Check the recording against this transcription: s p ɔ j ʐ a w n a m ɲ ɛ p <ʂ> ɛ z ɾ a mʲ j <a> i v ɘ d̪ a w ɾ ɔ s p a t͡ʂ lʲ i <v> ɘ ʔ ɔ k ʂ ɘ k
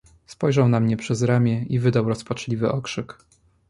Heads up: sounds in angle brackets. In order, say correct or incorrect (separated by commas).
correct, incorrect, correct